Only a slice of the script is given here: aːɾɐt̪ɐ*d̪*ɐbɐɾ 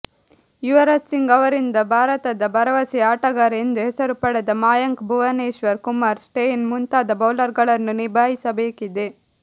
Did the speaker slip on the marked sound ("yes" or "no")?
no